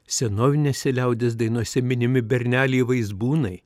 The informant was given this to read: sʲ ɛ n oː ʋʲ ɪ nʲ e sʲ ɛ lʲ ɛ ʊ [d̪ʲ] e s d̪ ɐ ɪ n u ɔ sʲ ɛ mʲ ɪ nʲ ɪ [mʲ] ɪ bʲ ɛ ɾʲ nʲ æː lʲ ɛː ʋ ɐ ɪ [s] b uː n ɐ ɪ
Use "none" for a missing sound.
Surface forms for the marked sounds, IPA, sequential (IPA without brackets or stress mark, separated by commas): d̪ʲ, mʲ, z